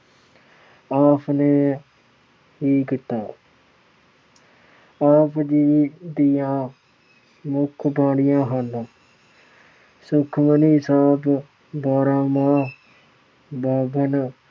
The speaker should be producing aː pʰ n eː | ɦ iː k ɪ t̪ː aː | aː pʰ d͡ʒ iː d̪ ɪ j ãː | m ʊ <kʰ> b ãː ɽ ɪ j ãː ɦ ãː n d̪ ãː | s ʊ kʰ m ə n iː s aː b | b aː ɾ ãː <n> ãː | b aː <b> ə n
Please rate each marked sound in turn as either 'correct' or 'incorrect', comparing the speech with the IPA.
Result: correct, incorrect, correct

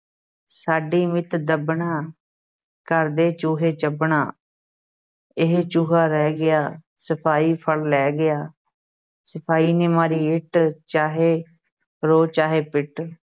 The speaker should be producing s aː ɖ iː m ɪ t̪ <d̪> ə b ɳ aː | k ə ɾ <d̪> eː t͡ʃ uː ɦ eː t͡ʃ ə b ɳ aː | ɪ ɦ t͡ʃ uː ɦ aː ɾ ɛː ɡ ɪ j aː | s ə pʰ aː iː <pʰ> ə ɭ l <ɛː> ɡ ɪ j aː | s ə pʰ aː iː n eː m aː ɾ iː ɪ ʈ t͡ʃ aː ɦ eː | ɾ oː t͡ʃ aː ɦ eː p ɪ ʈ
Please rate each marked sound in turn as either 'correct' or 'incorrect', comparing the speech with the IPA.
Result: correct, correct, correct, correct

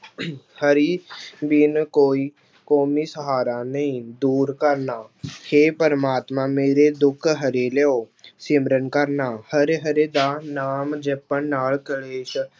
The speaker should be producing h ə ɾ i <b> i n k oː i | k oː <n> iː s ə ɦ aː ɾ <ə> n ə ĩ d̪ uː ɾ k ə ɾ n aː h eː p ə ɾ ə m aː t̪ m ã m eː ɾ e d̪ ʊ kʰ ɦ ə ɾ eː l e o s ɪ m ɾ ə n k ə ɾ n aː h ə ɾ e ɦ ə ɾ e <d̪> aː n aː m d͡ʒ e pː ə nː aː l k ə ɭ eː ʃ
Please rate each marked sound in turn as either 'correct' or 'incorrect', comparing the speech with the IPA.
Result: correct, incorrect, incorrect, correct

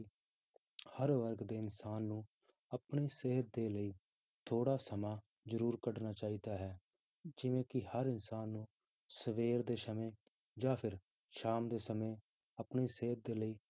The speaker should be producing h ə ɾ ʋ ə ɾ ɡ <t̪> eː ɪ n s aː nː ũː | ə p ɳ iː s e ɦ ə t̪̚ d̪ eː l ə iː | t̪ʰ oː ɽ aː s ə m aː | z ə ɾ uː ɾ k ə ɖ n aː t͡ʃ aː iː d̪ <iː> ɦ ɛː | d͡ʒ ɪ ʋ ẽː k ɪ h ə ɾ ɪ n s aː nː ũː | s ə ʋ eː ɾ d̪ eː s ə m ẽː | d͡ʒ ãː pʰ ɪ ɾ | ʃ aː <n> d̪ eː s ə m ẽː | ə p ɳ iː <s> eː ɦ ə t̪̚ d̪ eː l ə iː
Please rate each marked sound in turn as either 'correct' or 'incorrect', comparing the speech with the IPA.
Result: incorrect, incorrect, incorrect, correct

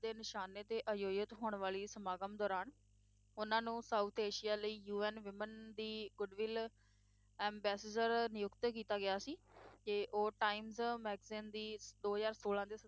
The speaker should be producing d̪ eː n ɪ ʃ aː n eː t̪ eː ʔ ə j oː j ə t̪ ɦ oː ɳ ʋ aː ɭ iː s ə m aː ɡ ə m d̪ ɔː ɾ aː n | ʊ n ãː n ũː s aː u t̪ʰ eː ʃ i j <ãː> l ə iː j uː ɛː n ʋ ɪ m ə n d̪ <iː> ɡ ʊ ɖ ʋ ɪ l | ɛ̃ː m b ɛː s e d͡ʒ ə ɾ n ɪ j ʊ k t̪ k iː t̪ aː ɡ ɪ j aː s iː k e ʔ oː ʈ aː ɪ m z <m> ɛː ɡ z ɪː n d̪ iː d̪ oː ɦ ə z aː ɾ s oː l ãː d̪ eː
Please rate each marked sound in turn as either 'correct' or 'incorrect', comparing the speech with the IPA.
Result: incorrect, correct, correct

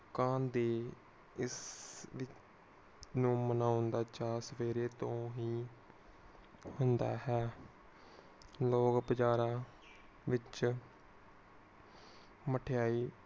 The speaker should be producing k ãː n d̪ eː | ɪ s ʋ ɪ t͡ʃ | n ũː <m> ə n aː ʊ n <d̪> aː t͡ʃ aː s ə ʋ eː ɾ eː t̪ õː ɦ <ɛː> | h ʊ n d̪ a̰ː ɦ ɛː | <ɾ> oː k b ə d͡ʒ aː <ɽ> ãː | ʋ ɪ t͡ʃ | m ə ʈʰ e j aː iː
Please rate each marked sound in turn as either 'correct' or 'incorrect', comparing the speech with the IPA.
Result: correct, correct, incorrect, incorrect, incorrect

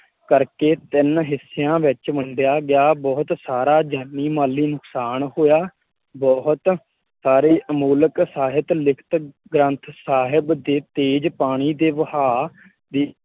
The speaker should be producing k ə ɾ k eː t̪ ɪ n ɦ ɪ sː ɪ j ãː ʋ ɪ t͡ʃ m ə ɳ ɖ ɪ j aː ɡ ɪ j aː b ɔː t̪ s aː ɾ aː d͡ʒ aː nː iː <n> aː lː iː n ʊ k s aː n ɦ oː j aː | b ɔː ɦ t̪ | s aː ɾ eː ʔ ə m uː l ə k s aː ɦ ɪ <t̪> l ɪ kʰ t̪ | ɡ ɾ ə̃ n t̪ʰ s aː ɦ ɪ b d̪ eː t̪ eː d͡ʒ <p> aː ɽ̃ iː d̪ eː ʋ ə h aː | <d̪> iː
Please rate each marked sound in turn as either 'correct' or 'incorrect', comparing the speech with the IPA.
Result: incorrect, correct, correct, correct

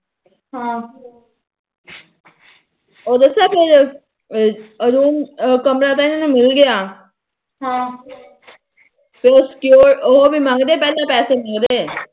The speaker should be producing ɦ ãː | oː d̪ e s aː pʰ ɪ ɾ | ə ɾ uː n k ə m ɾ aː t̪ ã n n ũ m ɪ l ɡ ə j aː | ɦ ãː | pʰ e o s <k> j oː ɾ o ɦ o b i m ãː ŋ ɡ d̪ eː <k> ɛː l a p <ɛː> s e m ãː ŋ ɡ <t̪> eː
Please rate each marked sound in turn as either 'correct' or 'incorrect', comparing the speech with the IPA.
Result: correct, incorrect, correct, incorrect

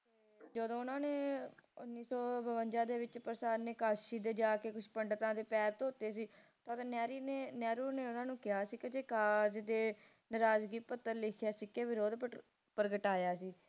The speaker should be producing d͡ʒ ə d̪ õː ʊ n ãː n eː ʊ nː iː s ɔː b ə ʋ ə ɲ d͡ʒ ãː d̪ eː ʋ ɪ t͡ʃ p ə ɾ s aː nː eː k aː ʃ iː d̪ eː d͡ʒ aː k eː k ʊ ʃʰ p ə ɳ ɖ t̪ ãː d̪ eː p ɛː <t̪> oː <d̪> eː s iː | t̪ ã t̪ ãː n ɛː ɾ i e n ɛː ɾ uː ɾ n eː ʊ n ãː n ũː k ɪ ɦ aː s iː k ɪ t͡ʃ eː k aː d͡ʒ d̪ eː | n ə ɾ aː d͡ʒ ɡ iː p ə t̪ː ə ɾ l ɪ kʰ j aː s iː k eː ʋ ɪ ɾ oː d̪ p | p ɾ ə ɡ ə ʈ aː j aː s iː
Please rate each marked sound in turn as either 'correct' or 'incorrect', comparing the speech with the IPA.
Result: correct, incorrect

